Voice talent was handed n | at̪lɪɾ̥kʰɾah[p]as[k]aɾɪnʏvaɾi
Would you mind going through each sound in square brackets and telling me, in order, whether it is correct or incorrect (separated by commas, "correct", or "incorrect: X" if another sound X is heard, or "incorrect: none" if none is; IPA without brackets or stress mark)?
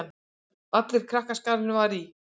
incorrect: k, correct